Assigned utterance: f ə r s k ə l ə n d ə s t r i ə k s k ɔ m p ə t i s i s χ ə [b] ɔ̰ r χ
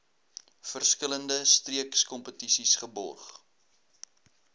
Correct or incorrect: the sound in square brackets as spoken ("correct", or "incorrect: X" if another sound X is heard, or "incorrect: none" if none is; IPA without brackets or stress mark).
correct